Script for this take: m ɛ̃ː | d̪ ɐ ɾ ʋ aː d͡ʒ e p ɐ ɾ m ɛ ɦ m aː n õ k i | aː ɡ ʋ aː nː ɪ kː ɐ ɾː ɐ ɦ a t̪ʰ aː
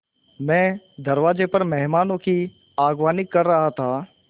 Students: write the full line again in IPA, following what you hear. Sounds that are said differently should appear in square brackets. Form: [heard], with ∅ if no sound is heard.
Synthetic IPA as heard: m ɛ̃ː | d̪ ɐ ɾ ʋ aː d͡ʒ e p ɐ ɾ m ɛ ɦ m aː n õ k i | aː ɡ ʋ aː [n] ɪ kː ɐ ɾː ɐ ɦ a t̪ʰ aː